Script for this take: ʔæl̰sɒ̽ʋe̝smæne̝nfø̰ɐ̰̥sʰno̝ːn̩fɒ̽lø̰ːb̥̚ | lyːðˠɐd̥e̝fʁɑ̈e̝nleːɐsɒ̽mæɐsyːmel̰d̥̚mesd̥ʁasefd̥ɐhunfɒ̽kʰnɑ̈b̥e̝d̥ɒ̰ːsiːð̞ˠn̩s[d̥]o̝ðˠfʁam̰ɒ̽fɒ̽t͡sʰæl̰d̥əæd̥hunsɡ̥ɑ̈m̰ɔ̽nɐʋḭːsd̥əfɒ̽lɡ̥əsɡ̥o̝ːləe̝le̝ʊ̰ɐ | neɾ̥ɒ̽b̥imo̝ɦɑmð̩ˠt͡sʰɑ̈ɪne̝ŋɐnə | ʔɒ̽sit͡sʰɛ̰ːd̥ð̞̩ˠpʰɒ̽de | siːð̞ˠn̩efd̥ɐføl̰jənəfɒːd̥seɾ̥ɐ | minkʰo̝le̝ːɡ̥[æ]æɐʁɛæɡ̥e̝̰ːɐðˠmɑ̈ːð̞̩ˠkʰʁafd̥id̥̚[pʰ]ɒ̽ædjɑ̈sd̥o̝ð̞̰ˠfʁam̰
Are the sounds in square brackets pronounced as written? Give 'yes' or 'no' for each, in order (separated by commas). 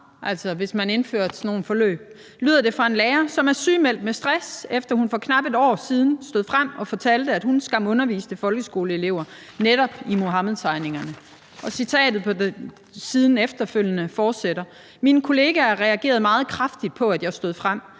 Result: yes, yes, yes